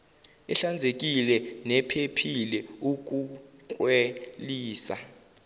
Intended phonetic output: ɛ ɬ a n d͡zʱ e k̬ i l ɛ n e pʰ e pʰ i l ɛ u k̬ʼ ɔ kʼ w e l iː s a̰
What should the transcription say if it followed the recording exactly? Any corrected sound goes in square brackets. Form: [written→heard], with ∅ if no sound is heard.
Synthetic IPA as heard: ɛ ɬ a n d͡zʱ e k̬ i l ɛ n [e→ɛ] pʰ e pʰ i l ɛ u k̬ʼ [ɔ→u] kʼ w e l iː s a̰